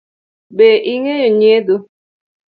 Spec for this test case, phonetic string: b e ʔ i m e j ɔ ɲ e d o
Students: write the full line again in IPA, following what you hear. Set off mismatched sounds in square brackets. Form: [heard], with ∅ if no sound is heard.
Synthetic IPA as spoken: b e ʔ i [ŋ] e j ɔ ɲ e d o